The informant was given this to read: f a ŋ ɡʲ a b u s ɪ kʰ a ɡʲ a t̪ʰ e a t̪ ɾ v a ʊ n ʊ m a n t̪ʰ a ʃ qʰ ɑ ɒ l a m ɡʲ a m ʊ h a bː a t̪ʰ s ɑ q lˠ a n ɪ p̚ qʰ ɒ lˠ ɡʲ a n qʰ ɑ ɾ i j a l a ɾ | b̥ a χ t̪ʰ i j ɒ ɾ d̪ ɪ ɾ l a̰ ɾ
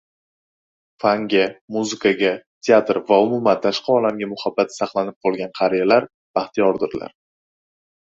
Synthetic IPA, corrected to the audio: f a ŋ ɡʲ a m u z ɪ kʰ a ɡʲ a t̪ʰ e a t̪ ɾ v a ʊ m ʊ m a n t̪ʰ a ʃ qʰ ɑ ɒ l a m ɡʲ a m ʊ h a bː a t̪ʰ s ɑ q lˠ a n ɪ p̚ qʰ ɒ lˠ ɡʲ a n qʰ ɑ ɾ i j a l a ɾ | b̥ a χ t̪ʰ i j ɒ ɾ d̪ ɪ ɾ l a̰ ɾ